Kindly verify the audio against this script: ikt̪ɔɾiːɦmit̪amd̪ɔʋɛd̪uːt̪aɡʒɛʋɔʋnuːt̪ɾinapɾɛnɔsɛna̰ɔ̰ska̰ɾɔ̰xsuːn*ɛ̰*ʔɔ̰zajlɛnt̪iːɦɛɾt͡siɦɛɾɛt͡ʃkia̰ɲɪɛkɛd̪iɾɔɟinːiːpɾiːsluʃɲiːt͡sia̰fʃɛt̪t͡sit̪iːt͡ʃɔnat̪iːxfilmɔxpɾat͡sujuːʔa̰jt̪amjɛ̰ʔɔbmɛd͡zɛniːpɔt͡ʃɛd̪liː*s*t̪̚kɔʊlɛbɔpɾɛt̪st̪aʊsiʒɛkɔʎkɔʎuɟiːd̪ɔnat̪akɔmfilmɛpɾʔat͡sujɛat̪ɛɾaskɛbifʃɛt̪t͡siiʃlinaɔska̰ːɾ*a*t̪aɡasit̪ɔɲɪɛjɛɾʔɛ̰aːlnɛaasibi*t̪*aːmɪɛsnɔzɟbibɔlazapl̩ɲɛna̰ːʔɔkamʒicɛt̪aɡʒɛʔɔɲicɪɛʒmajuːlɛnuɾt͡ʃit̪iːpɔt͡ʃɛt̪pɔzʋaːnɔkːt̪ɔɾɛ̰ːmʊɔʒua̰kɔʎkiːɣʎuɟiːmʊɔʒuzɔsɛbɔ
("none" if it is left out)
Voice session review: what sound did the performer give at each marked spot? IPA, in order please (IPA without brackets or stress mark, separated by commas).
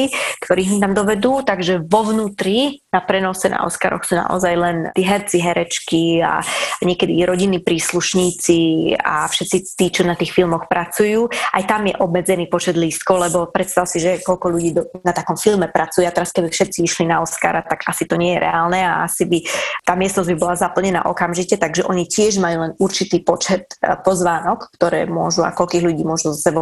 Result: a̰, s, a, t̪